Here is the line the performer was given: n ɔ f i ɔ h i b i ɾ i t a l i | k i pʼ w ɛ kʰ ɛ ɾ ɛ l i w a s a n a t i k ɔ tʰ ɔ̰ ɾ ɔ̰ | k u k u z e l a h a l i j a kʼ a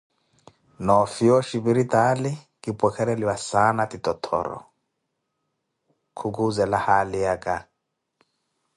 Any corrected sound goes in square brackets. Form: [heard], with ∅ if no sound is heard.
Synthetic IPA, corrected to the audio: n ɔ f i ɔ [ʃ] i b i ɾ i t a l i | k i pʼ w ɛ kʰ ɛ ɾ ɛ l i w a s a n a t i [t] ɔ tʰ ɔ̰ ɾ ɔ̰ | [kʰ] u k u z [ɛ] l a h a l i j a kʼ a